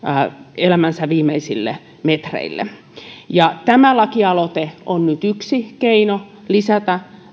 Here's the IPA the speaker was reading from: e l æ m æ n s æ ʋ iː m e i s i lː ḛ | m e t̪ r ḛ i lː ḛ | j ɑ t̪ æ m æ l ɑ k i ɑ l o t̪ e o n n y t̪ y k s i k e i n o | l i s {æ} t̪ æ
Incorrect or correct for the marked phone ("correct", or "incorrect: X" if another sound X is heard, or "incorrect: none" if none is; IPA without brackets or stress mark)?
correct